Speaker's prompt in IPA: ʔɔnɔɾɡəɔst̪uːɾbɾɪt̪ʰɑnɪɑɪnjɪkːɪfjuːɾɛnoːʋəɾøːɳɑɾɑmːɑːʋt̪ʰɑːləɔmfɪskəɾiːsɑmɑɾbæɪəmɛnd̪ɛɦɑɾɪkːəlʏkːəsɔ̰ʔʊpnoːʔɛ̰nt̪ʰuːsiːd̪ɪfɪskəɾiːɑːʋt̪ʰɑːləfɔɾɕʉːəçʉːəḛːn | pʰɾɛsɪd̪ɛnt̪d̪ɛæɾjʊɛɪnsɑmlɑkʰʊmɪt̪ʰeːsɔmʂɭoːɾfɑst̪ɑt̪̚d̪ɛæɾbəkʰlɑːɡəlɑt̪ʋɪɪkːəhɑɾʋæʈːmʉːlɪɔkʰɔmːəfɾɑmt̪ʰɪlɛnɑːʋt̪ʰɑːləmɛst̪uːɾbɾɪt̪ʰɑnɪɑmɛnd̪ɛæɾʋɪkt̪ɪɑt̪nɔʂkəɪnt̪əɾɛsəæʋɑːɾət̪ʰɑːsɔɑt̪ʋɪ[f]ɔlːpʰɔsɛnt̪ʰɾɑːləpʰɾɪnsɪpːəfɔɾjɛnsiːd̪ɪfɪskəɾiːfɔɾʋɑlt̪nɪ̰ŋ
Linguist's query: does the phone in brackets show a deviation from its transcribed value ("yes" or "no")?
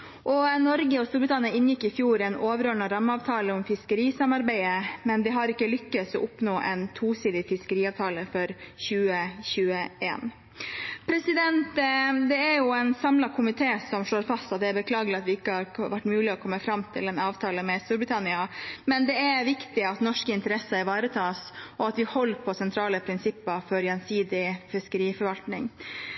yes